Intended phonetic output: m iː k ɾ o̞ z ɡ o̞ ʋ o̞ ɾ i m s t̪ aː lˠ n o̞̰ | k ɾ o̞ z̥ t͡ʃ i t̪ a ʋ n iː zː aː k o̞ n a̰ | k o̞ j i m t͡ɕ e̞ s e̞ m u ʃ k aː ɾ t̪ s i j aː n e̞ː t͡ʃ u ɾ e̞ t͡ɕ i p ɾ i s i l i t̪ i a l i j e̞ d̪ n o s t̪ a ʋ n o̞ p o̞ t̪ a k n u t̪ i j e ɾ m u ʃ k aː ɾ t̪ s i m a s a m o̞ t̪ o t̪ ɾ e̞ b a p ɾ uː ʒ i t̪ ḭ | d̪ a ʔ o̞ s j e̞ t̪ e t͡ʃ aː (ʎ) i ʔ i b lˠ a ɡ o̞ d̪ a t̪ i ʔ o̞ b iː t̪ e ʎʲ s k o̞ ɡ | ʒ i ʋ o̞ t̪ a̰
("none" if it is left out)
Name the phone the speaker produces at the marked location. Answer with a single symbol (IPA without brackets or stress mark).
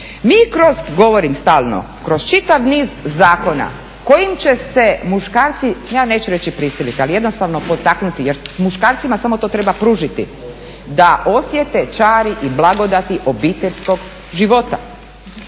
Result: ɾ